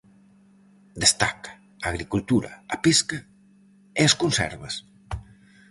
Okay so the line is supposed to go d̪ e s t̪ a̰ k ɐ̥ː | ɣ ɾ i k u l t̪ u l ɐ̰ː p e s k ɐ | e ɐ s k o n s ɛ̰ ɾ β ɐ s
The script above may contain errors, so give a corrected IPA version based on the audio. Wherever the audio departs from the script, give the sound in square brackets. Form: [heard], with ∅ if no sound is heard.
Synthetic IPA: d̪ e s t̪ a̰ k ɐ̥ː | ɣ ɾ i k u l t̪ u [ɾ] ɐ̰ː p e s k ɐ | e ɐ s k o n s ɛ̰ ɾ β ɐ s